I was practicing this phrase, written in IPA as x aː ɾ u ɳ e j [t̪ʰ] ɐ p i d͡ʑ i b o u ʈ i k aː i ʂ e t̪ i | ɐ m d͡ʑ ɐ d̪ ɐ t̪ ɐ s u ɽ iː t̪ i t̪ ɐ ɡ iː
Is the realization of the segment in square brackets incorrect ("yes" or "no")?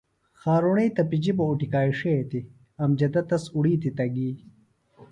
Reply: yes